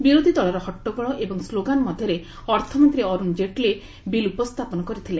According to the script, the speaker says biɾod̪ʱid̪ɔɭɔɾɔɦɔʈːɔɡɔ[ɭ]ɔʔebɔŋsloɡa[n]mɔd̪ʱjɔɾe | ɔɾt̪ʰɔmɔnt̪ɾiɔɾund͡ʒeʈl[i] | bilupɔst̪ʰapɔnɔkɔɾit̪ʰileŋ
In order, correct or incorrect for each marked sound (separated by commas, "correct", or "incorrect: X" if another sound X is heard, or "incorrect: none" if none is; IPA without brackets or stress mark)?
correct, correct, incorrect: e